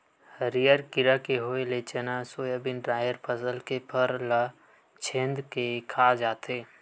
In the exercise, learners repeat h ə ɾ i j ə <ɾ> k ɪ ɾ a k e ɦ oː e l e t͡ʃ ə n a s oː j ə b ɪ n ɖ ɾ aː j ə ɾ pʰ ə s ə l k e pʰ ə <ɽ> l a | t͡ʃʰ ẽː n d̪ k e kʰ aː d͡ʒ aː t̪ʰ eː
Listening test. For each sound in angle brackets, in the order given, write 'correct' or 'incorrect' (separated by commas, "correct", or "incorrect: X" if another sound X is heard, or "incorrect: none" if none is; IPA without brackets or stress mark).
correct, incorrect: ɾ